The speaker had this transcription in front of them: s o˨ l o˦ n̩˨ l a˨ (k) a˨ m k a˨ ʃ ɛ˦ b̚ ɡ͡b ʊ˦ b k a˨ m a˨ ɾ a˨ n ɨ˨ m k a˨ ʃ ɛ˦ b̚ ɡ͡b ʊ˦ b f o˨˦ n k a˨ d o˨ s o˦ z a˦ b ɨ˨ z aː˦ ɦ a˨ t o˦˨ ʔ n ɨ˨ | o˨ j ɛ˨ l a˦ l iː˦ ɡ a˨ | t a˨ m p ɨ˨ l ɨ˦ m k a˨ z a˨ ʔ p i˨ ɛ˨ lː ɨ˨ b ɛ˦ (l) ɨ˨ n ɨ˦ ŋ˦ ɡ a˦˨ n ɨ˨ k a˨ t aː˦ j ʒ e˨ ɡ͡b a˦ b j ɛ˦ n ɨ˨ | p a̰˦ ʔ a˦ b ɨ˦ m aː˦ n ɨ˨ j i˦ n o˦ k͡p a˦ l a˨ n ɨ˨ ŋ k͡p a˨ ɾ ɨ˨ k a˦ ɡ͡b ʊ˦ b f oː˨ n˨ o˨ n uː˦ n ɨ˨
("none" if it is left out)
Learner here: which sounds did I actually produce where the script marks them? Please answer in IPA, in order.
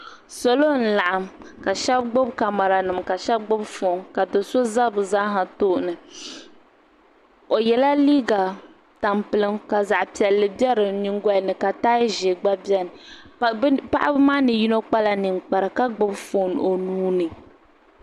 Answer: ʔ, ɾ

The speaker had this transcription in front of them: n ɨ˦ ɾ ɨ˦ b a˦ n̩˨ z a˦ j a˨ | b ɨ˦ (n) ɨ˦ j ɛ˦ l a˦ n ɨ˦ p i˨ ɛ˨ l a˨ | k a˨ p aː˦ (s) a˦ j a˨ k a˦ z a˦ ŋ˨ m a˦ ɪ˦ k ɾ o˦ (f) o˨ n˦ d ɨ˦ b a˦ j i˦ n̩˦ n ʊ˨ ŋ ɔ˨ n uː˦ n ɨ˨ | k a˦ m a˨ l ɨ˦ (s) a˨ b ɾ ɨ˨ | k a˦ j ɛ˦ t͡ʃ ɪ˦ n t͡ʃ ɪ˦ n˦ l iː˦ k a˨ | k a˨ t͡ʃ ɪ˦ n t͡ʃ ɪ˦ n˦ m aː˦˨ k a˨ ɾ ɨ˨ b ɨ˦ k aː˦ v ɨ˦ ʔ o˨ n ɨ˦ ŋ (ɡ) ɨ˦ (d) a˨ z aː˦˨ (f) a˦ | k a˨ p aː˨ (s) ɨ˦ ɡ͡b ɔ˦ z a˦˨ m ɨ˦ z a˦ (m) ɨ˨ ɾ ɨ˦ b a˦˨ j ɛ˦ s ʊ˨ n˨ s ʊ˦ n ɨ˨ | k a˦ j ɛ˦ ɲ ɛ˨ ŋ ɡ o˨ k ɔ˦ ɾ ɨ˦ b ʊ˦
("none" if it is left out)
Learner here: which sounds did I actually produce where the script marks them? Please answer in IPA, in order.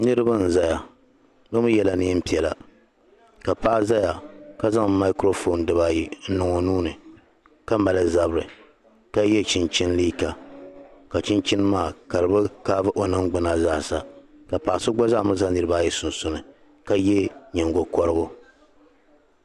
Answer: m, z, f, z, ɡ͡b, n, s, s, n

